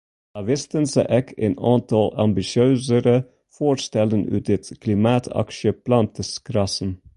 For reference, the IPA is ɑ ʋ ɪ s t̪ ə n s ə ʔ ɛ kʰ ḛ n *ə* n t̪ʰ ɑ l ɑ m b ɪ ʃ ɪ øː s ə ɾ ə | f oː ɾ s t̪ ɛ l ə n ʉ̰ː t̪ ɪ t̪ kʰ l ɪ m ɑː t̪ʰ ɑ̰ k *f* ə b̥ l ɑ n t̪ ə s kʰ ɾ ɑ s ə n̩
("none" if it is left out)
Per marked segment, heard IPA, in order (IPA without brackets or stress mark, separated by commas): ɑ, ʃ